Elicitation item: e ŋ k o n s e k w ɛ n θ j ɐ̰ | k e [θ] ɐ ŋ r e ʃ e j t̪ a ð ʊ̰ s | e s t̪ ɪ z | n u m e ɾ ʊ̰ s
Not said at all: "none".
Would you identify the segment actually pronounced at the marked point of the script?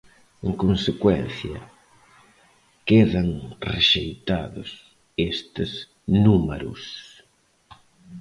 ð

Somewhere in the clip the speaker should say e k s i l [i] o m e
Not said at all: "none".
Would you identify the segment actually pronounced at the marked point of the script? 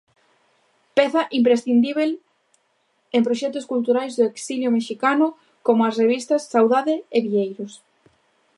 j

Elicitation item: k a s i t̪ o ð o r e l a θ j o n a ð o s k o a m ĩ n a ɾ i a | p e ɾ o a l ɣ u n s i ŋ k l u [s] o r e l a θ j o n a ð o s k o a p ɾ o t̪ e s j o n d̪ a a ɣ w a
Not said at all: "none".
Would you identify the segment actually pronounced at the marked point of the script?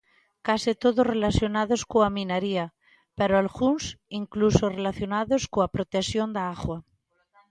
s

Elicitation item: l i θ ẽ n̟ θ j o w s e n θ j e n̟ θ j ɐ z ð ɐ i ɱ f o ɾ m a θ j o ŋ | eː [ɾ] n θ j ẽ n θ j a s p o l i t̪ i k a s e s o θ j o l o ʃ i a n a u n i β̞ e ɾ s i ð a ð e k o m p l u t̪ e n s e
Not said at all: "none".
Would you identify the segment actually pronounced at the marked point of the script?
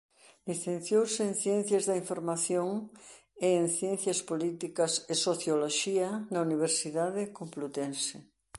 none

